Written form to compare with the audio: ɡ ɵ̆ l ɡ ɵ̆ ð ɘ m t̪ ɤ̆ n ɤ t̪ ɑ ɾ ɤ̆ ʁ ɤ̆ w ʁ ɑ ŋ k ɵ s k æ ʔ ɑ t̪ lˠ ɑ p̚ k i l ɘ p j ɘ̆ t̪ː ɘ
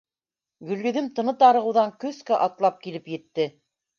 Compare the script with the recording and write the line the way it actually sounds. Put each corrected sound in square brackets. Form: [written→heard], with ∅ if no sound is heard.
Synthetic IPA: ɡ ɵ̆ l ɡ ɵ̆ ð ɘ m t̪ ɤ̆ n ɤ t̪ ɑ ɾ ɤ̆ ʁ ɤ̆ w [ʁ→ð] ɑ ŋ k ɵ s k æ ʔ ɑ t̪ lˠ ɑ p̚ k i l ɘ p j ɘ̆ t̪ː ɘ

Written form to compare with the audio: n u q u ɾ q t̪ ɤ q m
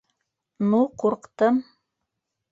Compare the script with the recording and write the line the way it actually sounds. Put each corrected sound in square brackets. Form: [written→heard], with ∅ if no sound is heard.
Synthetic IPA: n u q u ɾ q t̪ ɤ [q→∅] m

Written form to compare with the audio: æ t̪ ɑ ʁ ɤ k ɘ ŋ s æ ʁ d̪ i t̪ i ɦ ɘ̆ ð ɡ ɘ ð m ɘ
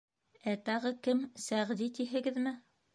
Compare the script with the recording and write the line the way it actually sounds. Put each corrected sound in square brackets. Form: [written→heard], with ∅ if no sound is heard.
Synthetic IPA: æ t̪ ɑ ʁ ɤ k ɘ [ŋ→m] s æ ʁ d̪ i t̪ i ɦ ɘ̆ [ð→∅] ɡ ɘ ð m ɘ

